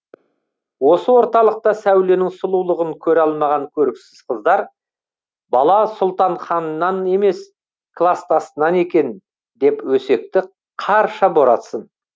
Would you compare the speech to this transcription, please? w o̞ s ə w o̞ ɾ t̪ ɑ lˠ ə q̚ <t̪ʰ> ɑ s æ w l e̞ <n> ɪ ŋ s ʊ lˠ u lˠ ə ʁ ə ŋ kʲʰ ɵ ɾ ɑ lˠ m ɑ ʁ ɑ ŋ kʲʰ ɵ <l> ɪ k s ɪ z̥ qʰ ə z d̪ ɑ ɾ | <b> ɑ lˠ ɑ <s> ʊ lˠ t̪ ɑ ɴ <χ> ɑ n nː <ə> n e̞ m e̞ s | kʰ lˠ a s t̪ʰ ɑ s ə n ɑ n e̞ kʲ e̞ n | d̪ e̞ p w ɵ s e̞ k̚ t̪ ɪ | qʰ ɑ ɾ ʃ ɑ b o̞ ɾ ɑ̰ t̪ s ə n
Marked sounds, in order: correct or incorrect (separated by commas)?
incorrect, correct, incorrect, correct, correct, correct, incorrect